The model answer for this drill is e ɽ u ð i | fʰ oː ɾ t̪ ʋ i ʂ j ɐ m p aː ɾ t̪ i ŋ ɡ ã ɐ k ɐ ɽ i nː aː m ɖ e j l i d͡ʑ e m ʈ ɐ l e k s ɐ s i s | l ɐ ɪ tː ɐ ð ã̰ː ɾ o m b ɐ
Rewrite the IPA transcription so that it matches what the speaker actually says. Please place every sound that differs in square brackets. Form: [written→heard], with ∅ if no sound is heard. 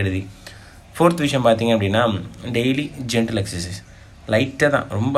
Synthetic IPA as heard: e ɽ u ð i | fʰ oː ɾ t̪ ʋ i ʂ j ɐ m p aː ɾ t̪ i ŋ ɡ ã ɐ [k→p] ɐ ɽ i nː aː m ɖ e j l i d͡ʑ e [m→ɳ] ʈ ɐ l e k s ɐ s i s | l ɐ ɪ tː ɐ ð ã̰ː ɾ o m b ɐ